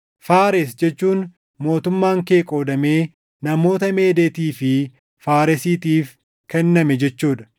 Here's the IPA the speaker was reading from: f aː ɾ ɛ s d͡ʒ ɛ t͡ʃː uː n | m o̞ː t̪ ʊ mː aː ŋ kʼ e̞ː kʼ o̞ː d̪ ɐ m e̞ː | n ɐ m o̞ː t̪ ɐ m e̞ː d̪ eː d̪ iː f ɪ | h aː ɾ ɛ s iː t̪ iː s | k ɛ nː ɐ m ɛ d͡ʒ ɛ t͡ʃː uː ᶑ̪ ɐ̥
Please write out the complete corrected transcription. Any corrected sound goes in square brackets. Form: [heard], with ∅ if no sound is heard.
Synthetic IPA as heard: f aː ɾ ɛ s d͡ʒ ɛ t͡ʃː uː n | m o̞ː t̪ ʊ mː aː ŋ [k] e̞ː kʼ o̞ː d̪ ɐ m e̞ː | n ɐ m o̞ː t̪ ɐ m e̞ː d̪ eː [t̪] iː f ɪ | [f] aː ɾ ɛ s iː t̪ iː [f] | k ɛ nː ɐ m ɛ d͡ʒ ɛ t͡ʃː uː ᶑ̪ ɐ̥